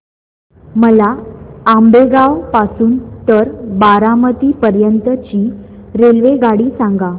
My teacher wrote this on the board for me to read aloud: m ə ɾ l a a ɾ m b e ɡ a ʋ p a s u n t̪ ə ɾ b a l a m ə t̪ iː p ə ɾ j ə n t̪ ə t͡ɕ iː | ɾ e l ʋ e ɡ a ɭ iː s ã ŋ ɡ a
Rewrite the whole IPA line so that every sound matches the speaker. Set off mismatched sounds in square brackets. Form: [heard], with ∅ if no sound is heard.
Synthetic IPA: m ə [∅] l a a [∅] m b e ɡ a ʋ p a s [uː] n t̪ ə ɾ b a [ɾ] a m ə t̪ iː p ə ɾ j ə n t̪ ə t͡ɕ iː | ɾ e l ʋ e ɡ a [ɽ] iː s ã ŋ ɡ a